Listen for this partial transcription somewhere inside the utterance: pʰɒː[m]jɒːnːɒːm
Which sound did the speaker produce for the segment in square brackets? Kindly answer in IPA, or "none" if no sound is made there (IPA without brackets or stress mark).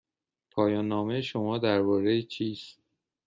none